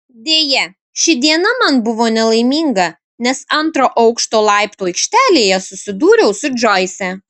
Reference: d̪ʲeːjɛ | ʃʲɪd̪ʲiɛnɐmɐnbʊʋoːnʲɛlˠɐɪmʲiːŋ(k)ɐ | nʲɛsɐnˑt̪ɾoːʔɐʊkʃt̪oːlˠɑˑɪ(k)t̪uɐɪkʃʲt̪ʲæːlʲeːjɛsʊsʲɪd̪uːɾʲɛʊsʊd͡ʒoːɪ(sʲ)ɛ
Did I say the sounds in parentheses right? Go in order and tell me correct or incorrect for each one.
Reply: incorrect: ɡ, incorrect: p, correct

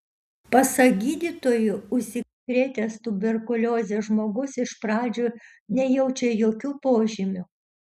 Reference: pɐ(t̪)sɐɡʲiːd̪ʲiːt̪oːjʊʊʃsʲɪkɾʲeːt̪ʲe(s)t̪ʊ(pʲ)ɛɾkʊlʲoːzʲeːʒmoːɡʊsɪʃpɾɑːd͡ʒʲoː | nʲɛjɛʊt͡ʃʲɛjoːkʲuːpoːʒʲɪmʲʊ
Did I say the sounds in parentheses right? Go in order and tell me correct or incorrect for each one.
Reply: incorrect: none, correct, incorrect: bʲ

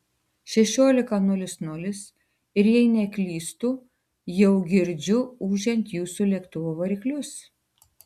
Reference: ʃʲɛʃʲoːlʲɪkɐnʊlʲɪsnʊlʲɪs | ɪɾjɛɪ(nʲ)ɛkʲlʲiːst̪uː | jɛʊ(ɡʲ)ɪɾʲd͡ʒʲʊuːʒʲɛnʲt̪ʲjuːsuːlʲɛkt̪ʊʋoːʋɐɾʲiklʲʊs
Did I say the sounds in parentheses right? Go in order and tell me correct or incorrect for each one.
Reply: correct, correct

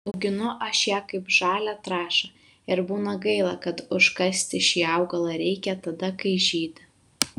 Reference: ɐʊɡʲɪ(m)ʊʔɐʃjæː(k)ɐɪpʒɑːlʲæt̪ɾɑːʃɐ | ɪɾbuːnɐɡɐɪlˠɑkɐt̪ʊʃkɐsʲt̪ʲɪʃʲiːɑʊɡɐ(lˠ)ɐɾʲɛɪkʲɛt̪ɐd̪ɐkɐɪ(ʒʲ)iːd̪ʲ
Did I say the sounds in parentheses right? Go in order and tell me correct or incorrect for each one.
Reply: incorrect: n, correct, correct, correct

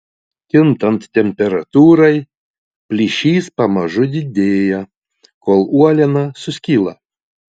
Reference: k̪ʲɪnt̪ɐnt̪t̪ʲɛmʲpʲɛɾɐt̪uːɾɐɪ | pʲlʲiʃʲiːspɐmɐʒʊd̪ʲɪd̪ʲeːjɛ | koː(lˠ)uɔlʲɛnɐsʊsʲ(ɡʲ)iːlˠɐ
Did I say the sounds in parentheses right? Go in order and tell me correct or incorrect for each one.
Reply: correct, incorrect: kʲ

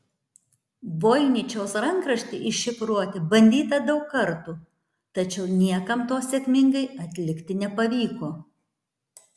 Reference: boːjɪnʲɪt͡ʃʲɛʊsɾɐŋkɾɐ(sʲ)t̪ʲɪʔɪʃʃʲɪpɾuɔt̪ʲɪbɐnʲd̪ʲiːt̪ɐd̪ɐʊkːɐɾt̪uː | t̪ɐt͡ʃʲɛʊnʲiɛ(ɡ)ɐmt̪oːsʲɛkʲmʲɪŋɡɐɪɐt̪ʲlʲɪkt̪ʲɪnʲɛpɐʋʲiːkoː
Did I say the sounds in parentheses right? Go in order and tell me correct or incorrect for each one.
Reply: incorrect: ʃʲ, incorrect: k

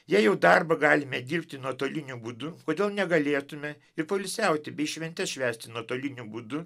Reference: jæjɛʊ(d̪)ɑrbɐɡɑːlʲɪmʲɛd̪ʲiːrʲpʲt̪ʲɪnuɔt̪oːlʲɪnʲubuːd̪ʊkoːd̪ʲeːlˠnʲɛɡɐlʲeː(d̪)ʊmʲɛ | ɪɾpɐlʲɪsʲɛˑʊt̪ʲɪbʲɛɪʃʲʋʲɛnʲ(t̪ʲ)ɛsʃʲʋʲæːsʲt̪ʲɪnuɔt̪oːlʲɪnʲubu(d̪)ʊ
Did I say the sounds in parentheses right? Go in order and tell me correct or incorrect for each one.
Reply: correct, incorrect: t̪, correct, correct

